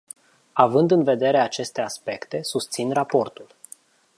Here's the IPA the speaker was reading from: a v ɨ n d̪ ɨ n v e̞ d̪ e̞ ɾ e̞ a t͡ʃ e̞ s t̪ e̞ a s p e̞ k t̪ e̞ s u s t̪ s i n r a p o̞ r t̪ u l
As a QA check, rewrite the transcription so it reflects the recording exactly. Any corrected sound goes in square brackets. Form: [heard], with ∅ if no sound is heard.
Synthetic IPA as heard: a v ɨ n d̪ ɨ n v e̞ d̪ e̞ ɾ e̞ a t͡ʃ e̞ s t̪ e̞ a s p e̞ k t̪ e̞ s u s t̪ s i n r a p o̞ r t̪ u l